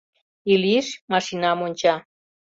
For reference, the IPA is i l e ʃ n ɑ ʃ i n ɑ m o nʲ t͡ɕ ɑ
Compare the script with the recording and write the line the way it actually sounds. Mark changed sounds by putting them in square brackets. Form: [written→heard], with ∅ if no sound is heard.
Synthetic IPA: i l [e→i] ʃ [n→m] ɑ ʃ i n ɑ m o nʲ t͡ɕ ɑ